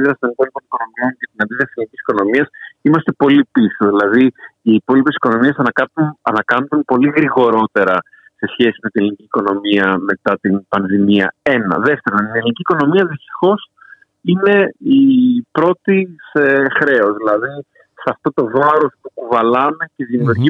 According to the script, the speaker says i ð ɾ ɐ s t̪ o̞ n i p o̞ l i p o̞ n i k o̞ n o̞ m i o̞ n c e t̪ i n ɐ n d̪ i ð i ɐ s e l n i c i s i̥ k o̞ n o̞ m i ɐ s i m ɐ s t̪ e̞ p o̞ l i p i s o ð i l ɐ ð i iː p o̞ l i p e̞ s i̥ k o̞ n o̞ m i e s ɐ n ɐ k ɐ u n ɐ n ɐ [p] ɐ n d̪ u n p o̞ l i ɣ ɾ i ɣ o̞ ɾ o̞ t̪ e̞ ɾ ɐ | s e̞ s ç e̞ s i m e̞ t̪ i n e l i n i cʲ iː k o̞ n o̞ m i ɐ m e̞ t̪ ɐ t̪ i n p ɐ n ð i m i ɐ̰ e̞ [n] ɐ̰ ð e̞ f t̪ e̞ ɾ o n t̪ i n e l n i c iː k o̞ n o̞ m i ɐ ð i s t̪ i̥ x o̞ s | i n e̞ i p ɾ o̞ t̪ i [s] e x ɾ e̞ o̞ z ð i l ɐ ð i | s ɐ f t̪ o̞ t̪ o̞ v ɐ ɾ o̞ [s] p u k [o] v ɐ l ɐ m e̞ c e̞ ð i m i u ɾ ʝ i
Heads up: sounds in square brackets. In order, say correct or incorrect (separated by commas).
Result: incorrect, correct, correct, correct, incorrect